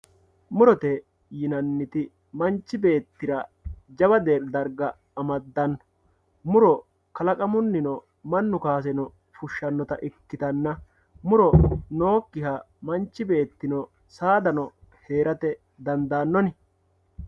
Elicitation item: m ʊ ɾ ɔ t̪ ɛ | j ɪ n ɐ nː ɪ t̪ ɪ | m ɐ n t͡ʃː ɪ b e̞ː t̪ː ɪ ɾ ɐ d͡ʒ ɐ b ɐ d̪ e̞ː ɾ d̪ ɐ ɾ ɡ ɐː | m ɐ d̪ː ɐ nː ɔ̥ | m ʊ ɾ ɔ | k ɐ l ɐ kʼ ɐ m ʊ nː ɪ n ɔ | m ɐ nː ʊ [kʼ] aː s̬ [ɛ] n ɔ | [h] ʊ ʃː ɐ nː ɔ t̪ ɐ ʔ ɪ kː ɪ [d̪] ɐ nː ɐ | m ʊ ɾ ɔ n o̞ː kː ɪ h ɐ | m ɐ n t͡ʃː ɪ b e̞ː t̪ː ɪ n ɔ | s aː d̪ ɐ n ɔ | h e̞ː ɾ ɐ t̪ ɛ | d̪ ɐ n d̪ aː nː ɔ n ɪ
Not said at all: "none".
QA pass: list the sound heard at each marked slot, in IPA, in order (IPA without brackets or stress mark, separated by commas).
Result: k, ɛ, f, t̪